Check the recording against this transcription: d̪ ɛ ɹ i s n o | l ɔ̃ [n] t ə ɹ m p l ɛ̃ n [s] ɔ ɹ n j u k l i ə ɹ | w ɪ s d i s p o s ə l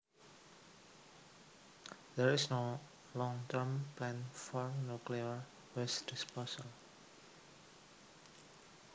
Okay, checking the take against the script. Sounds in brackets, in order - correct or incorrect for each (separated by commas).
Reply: incorrect, incorrect